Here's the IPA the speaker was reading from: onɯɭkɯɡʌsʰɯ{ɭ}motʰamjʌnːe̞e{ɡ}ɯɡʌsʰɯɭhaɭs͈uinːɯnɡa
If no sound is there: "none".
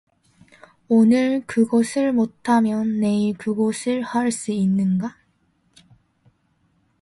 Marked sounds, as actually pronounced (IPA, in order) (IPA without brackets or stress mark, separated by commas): ɭ, k